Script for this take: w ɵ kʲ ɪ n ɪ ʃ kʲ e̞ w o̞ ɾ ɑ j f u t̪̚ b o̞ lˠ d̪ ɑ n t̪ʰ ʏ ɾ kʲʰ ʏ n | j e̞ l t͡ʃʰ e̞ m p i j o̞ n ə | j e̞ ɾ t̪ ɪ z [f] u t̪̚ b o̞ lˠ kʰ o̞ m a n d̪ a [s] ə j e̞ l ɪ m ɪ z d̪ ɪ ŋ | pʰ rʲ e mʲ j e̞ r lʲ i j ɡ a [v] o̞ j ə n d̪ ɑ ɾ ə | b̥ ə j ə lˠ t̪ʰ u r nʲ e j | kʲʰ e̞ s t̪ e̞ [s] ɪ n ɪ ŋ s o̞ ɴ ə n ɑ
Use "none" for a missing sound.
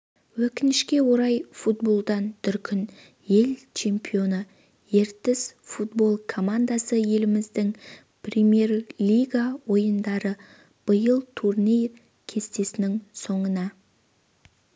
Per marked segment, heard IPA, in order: f, s, w, s

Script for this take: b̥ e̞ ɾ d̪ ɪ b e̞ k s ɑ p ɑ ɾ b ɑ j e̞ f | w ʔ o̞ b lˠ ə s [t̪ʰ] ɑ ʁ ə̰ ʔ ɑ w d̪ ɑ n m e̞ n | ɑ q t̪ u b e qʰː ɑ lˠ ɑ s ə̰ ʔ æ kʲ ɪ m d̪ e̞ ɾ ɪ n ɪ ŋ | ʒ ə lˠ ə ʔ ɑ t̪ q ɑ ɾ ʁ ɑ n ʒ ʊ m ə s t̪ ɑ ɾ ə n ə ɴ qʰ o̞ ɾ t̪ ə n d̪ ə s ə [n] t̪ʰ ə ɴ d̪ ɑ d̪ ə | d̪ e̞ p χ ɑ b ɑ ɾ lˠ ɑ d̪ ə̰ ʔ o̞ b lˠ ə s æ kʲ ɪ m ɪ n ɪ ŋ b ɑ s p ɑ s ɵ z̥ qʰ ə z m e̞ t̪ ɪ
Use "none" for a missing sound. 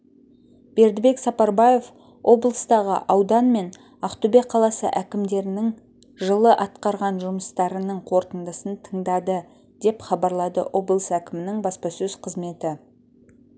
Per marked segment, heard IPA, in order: t̪, n

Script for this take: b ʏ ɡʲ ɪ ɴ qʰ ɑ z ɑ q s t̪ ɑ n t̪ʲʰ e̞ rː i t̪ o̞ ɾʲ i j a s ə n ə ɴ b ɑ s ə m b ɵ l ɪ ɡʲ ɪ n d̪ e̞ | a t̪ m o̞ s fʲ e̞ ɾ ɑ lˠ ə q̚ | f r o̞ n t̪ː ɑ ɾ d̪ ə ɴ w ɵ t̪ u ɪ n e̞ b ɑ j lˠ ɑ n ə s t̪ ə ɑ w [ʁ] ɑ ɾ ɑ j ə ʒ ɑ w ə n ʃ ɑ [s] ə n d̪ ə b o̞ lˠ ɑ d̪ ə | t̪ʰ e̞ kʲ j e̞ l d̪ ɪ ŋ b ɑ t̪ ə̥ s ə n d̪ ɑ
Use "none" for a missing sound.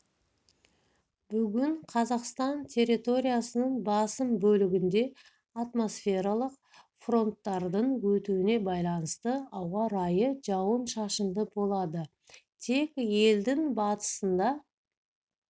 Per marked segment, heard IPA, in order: ʁ, ʃ

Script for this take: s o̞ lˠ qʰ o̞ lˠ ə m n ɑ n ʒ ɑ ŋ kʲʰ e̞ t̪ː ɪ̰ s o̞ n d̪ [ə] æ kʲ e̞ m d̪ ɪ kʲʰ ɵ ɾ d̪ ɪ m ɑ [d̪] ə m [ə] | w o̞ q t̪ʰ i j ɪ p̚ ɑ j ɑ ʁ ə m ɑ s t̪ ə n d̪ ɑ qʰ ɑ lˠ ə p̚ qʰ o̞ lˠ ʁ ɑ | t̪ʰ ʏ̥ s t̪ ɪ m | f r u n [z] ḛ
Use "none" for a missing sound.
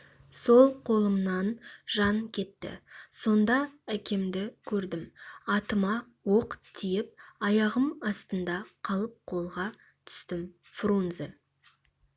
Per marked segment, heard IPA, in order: ɑ, t̪, ɑ, z

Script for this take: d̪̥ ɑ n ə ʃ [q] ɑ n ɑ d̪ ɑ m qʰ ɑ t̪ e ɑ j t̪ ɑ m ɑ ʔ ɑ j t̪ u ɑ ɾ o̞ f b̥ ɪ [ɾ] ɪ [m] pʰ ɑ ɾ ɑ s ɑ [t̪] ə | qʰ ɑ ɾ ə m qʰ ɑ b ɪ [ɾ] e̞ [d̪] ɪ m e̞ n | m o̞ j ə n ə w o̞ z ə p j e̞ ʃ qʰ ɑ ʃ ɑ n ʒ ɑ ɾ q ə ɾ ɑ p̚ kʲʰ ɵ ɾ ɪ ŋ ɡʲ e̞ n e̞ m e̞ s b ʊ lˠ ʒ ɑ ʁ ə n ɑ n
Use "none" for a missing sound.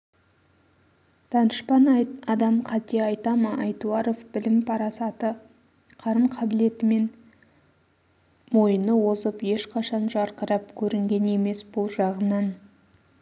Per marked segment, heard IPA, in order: p, l, m, t̪, l, t̪

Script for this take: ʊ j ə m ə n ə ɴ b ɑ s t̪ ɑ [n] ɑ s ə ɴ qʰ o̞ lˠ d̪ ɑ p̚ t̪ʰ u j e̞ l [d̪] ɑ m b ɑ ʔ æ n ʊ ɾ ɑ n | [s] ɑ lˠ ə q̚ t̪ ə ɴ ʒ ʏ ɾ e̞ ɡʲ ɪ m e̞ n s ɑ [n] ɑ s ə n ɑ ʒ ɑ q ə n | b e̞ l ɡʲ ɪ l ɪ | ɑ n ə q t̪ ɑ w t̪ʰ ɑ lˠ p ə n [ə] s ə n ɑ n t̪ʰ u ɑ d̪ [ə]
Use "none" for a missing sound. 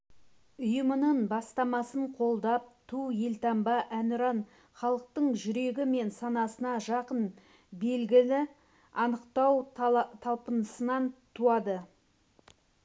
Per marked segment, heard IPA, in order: m, t̪, χ, n, ə, ə

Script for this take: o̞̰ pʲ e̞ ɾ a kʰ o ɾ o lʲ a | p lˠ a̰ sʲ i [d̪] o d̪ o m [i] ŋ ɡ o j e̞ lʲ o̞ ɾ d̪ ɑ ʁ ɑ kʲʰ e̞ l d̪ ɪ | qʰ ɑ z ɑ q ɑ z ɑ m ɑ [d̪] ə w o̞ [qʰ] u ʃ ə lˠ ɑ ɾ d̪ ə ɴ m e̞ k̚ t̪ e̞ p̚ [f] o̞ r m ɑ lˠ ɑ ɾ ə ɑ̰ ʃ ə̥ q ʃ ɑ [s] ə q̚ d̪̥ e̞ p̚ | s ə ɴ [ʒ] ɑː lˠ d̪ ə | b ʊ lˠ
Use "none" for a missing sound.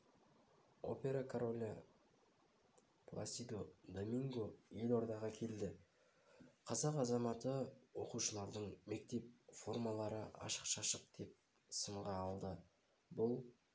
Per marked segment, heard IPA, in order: d̪, i, t̪, q, f, ʃ, ʁ

